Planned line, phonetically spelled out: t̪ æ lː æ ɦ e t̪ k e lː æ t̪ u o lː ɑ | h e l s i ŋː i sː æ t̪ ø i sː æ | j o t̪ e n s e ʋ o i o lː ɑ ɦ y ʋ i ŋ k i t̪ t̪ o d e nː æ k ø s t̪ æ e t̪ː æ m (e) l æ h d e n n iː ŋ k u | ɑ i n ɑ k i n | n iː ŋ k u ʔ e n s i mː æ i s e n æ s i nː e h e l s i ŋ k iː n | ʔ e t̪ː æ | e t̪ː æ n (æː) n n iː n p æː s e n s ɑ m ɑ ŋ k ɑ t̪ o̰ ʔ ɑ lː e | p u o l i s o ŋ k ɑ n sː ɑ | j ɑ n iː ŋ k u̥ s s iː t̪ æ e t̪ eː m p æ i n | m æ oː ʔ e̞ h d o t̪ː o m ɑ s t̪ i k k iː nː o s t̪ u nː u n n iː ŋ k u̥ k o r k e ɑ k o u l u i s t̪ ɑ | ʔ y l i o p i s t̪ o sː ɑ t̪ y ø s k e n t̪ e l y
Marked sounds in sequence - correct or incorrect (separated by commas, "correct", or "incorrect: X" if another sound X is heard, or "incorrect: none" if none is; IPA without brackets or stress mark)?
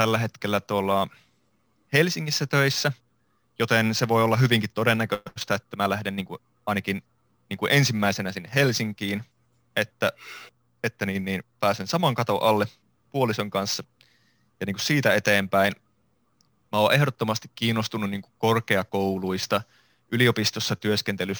incorrect: æ, incorrect: iː